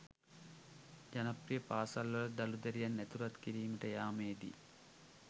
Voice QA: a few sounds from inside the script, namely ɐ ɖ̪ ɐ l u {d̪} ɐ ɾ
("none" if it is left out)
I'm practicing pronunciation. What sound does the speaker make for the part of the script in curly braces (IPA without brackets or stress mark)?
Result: d̪